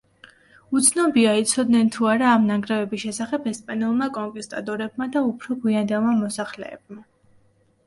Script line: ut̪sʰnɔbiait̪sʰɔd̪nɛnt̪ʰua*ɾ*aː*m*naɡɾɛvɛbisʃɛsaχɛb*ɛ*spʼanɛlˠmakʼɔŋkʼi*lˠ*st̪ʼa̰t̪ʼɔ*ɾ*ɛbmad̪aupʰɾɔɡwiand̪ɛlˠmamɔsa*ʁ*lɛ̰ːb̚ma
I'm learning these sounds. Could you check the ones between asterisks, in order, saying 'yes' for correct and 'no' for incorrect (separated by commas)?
yes, yes, yes, no, yes, no